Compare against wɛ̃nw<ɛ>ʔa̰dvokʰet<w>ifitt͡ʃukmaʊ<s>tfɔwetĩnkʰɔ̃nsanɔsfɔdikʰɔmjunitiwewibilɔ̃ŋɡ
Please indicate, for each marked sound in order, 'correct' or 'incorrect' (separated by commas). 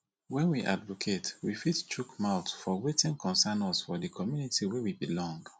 incorrect, correct, incorrect